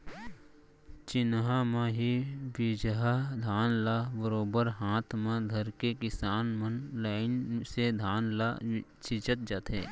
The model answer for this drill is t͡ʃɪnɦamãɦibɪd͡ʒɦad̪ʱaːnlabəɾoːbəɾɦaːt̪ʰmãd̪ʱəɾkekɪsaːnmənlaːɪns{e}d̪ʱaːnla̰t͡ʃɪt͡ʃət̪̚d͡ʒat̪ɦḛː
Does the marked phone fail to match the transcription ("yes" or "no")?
no